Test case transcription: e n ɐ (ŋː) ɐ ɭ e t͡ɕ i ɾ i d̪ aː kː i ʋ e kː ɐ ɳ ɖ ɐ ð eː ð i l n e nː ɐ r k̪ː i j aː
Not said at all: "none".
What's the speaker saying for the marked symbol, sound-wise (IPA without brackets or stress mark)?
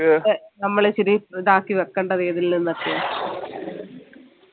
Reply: mː